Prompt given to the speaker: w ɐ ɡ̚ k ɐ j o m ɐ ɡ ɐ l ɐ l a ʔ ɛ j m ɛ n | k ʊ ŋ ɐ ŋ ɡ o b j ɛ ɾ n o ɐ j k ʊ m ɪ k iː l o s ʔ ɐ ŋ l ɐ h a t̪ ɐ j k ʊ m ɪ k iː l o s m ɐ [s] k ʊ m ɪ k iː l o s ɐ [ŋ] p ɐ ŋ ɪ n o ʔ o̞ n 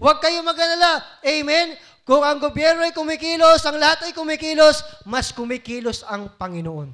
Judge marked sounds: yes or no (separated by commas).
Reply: yes, yes